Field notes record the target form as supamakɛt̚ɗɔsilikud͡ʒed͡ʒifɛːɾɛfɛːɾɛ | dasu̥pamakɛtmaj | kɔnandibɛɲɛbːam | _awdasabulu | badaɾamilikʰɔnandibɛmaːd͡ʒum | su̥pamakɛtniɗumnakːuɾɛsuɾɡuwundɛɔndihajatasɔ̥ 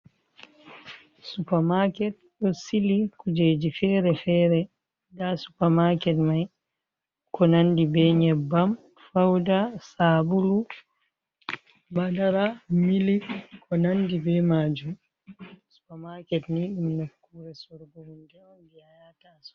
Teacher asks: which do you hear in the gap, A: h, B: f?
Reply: B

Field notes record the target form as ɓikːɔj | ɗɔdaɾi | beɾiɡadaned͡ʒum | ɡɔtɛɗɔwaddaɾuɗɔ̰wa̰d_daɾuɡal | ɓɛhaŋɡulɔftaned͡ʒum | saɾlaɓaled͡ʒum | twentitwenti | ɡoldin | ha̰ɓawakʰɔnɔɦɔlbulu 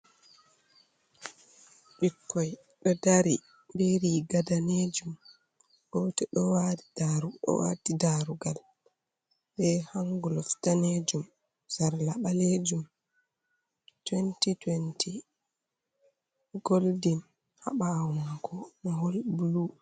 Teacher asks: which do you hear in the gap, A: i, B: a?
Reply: A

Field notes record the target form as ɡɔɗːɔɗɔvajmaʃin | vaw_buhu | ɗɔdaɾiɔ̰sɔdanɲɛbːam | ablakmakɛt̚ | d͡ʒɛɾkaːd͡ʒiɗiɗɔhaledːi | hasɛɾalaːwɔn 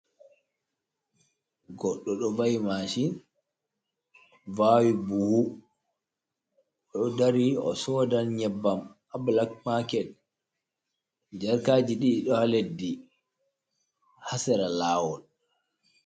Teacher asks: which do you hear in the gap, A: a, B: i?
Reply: B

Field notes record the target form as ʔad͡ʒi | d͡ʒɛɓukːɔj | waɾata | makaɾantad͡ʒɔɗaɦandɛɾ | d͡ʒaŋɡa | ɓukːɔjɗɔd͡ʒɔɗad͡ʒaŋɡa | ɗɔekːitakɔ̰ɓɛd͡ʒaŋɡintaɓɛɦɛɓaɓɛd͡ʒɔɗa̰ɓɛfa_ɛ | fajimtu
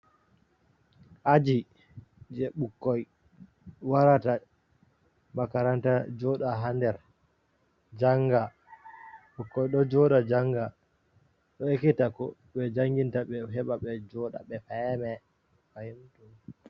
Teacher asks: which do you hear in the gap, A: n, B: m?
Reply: B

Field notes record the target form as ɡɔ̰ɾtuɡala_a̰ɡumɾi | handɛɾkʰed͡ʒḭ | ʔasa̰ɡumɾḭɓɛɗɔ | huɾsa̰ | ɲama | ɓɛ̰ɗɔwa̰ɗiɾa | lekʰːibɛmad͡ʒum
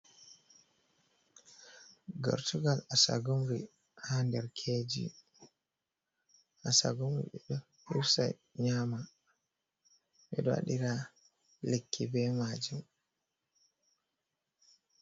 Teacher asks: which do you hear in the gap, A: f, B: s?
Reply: B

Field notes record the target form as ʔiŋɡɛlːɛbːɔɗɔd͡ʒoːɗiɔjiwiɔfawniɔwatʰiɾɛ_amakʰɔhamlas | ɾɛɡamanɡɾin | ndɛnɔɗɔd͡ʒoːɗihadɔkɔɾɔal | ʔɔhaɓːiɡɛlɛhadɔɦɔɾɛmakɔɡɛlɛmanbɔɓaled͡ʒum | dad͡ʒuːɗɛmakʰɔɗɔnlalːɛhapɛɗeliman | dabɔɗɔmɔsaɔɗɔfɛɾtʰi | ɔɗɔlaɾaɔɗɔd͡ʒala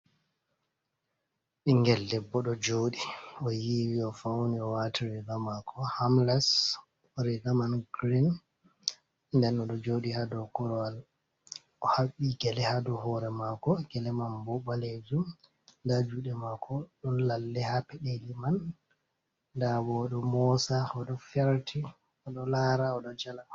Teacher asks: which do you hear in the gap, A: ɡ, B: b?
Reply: A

